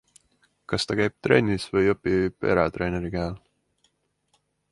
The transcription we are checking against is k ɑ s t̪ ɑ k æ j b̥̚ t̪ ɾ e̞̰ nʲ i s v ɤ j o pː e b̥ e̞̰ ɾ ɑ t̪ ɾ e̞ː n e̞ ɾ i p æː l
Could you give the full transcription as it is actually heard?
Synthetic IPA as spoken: k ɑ s t̪ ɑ k æ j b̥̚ t̪ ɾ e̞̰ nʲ i s v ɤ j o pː i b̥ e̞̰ ɾ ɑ t̪ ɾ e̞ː n e̞ ɾ i k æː l